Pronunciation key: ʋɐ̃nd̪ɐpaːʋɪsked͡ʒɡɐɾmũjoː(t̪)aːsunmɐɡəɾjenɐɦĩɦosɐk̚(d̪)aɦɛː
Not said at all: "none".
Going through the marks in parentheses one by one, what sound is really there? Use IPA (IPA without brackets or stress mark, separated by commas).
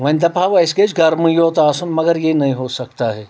t̪, t̪